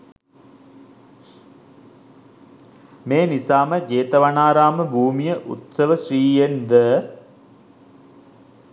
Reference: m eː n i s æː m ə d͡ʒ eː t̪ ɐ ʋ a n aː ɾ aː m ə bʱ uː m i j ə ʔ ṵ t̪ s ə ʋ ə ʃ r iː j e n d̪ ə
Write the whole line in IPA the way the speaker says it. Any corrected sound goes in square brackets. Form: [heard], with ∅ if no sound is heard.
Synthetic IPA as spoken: m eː n i s [aː] m ə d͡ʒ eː t̪ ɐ ʋ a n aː ɾ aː m ə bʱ uː m i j ə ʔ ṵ t̪ s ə ʋ ə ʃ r iː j e n d̪ ə